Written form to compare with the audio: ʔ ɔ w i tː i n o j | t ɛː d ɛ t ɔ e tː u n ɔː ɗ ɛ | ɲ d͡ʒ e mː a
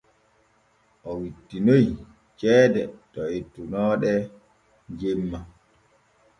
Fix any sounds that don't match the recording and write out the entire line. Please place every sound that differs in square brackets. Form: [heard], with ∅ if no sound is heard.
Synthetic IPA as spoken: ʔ ɔ w i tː i n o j | [t͡ʃ] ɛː d ɛ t ɔ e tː u n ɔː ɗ ɛ | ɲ d͡ʒ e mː a